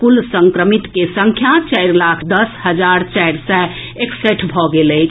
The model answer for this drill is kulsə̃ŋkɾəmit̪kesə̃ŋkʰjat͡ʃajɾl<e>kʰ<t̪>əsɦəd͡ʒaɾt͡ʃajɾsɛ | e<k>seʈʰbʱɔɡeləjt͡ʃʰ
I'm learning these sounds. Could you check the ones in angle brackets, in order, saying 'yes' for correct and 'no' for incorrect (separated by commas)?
no, no, yes